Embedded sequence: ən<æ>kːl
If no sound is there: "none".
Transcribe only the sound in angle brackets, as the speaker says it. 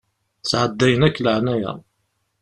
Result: æ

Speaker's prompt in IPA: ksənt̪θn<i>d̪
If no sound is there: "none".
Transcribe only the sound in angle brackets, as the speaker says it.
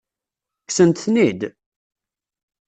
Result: i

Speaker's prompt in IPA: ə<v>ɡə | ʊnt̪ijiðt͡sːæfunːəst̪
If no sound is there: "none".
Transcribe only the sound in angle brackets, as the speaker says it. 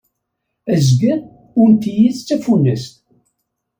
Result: z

